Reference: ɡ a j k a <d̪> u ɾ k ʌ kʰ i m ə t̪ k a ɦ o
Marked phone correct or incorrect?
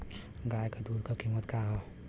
correct